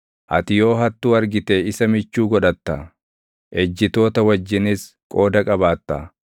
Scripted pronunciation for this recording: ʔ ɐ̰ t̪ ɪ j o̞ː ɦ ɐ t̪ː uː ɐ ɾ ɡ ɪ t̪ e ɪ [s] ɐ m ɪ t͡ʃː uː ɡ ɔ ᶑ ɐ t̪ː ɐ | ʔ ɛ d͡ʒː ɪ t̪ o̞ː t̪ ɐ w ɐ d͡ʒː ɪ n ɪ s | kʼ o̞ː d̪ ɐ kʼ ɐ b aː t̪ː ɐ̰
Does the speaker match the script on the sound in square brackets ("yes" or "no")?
yes